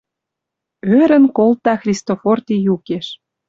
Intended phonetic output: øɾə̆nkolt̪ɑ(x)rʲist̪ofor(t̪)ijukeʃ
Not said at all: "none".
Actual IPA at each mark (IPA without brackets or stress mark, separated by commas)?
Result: x, t̪